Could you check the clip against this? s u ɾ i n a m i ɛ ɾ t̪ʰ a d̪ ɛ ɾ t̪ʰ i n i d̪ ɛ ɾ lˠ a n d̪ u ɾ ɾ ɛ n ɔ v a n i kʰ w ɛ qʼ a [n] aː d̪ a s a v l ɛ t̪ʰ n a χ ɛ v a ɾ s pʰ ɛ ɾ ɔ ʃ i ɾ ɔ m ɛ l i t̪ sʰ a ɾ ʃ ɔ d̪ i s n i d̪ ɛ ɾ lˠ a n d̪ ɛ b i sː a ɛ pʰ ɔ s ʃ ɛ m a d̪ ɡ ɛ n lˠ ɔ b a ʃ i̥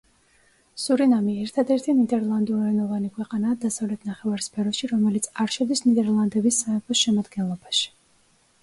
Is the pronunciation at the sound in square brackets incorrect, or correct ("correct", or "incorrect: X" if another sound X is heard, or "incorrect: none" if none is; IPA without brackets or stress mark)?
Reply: correct